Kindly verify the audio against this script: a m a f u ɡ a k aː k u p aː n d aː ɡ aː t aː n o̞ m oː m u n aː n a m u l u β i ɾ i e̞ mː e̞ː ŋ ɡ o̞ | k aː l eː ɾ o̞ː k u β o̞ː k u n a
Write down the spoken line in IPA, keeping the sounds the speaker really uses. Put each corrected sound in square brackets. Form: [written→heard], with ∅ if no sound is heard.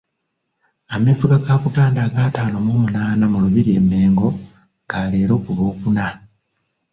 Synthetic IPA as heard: a m [a→e] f u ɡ a k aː k u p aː n d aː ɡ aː t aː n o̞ m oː m u n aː n a m u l u β i ɾ i e̞ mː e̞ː ŋ ɡ o̞ | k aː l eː ɾ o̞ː k u β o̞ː k u n a